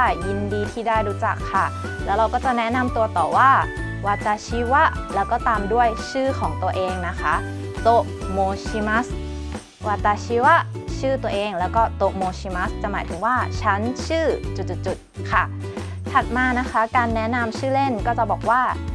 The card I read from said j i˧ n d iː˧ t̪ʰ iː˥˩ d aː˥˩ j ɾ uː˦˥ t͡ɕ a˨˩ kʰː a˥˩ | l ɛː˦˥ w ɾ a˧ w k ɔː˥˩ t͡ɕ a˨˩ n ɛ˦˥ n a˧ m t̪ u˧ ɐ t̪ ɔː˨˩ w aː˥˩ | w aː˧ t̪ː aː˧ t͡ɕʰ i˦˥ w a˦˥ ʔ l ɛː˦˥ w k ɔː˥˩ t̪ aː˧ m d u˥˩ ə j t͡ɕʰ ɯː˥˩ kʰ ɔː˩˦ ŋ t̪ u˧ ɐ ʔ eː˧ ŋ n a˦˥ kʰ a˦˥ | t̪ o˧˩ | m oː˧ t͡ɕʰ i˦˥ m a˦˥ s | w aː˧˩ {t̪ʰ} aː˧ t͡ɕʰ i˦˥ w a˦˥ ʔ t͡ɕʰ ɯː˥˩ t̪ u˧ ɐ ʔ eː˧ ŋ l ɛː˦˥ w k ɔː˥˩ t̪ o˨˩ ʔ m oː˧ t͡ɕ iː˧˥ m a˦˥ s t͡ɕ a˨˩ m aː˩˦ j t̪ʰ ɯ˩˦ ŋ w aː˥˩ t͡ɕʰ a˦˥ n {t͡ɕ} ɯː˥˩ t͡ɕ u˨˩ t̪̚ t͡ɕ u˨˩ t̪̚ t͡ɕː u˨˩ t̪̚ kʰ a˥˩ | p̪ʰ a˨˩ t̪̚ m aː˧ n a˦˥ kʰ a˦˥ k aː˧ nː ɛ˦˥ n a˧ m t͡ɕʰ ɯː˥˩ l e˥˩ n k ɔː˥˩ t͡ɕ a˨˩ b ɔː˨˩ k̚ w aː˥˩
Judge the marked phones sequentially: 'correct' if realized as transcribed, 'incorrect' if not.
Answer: incorrect: t̪, incorrect: t͡ɕʰ

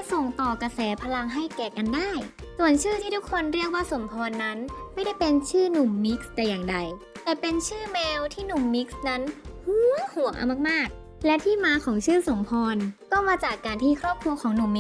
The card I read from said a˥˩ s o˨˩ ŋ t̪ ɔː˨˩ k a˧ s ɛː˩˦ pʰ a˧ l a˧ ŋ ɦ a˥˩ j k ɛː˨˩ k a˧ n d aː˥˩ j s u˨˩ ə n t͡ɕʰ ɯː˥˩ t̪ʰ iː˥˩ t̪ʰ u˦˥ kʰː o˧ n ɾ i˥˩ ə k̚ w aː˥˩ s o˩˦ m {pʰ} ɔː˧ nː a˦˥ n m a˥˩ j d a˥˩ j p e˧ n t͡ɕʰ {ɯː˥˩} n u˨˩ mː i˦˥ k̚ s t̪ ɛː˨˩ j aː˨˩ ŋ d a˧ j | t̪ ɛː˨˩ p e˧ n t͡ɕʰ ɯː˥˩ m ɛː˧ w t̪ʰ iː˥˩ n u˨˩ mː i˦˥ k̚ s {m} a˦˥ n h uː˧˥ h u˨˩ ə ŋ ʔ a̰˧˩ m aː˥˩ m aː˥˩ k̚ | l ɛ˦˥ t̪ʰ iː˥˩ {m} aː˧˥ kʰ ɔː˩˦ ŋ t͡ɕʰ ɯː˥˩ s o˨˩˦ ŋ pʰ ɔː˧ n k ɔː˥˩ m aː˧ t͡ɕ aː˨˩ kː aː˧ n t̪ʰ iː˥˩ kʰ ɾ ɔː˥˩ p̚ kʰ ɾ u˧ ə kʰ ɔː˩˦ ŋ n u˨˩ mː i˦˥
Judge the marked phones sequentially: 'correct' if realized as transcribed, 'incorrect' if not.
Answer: correct, correct, incorrect: n, correct

